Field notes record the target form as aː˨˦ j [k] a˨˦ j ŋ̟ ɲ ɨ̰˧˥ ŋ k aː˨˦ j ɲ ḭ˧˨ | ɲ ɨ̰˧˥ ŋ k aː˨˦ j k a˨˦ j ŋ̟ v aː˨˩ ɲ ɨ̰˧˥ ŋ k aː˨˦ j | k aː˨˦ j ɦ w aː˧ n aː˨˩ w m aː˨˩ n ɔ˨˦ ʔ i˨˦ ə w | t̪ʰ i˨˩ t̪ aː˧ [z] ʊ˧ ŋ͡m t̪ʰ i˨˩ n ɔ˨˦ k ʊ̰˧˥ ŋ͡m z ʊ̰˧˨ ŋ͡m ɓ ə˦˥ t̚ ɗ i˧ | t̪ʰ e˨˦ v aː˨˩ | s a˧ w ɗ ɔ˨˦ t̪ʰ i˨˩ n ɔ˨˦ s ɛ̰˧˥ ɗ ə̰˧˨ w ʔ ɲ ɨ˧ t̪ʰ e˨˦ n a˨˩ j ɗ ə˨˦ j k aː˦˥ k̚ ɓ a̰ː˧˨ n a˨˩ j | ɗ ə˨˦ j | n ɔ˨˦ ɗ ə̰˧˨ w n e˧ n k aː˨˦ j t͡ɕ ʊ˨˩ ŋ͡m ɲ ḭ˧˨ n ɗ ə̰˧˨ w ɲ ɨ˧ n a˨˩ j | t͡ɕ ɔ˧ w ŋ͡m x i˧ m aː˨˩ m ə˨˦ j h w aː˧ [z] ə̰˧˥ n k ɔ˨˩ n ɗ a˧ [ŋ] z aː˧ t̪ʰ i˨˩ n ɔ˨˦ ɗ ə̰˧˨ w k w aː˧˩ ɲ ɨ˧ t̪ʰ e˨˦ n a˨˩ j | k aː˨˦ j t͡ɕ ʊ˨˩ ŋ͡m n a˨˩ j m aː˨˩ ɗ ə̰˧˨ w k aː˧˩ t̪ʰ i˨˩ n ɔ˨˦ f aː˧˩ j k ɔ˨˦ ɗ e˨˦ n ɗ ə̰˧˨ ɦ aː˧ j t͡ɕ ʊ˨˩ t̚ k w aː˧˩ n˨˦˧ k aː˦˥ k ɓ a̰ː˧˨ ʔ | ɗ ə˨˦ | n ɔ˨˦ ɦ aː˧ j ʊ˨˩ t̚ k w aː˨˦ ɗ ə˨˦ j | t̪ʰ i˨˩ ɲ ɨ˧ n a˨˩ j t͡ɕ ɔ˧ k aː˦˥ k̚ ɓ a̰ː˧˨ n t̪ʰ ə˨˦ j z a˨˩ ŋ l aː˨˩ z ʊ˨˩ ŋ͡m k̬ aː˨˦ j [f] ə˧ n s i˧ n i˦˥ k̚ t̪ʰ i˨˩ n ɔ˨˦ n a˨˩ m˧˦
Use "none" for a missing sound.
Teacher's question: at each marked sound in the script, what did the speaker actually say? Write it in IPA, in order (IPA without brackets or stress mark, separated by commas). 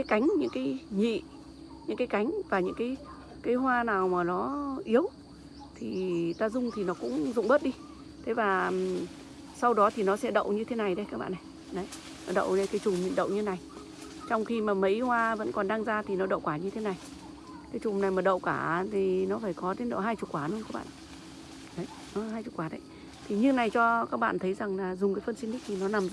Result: k, z, v, ŋ, f